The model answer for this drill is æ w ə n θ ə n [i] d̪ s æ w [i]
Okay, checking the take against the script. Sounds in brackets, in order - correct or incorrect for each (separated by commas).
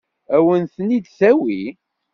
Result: correct, correct